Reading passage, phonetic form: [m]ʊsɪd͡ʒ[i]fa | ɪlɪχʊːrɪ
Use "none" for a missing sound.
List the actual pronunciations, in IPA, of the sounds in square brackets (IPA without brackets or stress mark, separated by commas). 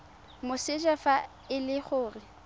m, a